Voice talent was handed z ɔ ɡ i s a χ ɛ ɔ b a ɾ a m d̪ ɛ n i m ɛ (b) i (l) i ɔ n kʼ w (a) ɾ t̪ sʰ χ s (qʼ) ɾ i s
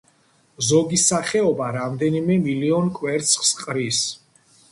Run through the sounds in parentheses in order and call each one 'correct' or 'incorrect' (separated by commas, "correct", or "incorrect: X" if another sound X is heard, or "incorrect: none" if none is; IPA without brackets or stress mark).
incorrect: m, correct, incorrect: ɛ, correct